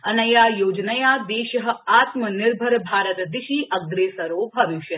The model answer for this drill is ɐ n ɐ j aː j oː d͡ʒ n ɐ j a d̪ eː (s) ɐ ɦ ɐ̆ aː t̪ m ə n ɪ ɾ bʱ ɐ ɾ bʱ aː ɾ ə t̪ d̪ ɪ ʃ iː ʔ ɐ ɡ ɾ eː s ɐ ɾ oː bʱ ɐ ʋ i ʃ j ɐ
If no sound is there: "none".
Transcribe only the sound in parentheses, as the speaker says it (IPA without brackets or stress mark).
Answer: ʃ